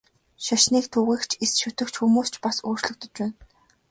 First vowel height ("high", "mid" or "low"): low